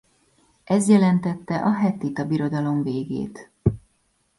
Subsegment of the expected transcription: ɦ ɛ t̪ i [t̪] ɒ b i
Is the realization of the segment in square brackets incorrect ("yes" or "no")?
no